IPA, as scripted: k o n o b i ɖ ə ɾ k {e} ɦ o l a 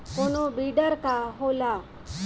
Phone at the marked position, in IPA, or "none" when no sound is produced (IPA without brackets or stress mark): a